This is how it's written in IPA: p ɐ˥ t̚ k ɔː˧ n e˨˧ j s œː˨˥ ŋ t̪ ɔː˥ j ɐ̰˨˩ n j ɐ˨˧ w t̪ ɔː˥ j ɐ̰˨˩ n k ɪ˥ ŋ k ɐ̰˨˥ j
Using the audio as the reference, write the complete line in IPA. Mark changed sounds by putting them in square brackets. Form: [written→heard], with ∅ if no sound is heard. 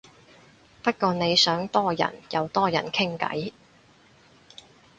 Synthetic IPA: p ɐ˥ t̚ k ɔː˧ n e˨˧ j s œː˨˥ ŋ t̪ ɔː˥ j ɐ̰˨˩ n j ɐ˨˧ w t̪ ɔː˥ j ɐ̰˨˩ n [k→kʰ] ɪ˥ ŋ k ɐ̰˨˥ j